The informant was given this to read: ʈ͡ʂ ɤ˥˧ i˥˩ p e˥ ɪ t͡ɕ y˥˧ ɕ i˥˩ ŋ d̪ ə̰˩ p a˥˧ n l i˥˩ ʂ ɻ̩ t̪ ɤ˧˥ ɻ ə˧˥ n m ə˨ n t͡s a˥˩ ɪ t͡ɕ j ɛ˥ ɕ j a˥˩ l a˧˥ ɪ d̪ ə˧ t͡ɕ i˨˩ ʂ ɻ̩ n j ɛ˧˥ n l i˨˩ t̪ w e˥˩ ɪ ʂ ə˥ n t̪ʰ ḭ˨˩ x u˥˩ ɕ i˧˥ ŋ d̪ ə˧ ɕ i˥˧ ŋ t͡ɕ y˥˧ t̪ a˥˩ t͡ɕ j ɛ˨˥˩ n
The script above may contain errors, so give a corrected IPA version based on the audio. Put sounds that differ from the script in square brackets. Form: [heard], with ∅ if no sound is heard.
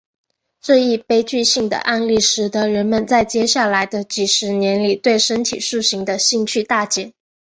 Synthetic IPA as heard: ʈ͡ʂ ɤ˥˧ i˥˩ p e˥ ɪ t͡ɕ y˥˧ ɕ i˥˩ ŋ d̪ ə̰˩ [ʔ] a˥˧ n l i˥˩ ʂ ɻ̩ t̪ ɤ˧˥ ɻ ə˧˥ n m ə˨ n t͡s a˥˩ ɪ t͡ɕ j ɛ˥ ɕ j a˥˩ l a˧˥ ɪ d̪ ə˧ t͡ɕ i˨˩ ʂ ɻ̩ n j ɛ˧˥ n l i˨˩ t̪ w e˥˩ ɪ ʂ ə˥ n t̪ʰ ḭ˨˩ [ʂ] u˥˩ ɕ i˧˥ ŋ d̪ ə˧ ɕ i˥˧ ŋ [t͡ɕʰ] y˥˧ t̪ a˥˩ t͡ɕ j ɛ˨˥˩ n